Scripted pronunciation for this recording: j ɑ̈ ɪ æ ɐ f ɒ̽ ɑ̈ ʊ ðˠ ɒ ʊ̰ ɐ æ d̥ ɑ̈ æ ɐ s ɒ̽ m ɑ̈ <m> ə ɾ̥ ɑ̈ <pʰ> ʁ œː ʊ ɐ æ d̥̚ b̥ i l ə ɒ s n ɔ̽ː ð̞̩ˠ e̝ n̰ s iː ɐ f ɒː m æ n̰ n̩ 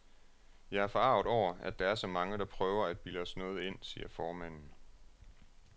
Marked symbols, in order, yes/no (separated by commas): no, yes